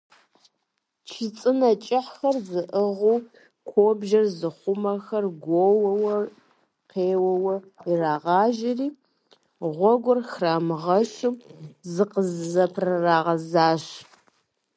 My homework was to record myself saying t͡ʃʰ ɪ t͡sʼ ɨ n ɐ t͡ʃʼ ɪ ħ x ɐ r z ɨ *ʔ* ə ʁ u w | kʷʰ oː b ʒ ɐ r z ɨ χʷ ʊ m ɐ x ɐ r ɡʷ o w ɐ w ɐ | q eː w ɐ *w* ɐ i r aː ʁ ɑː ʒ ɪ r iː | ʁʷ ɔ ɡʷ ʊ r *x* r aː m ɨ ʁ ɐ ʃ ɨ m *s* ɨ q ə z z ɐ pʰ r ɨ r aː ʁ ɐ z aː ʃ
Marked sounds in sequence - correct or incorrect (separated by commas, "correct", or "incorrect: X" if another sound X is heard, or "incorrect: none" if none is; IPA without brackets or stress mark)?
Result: correct, correct, correct, incorrect: z